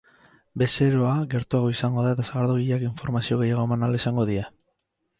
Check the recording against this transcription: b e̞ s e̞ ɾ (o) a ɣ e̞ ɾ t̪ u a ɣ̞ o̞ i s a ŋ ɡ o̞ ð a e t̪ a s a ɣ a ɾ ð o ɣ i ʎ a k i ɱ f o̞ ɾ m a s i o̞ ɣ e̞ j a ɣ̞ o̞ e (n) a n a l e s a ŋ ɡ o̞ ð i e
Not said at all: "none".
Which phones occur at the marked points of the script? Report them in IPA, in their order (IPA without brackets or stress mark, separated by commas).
o, m